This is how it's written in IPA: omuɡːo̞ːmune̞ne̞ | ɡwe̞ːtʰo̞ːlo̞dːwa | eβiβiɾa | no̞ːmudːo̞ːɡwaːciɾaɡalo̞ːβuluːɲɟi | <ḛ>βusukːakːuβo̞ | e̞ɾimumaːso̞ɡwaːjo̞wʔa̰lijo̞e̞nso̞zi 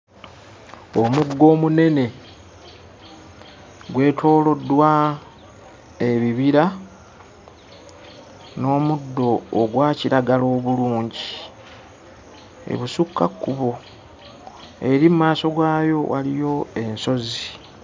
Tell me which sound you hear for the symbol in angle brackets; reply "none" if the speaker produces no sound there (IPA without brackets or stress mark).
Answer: ḛ